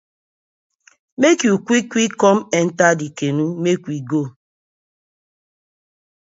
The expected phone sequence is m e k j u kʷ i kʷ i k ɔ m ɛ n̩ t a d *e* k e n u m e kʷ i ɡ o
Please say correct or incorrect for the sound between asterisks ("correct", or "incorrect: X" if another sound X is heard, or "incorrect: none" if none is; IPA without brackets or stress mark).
incorrect: i